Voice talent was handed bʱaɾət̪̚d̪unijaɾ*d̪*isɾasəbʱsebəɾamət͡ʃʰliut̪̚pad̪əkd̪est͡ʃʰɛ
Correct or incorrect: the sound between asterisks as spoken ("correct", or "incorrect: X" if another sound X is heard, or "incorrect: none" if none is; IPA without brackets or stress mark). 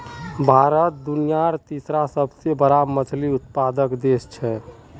incorrect: t̪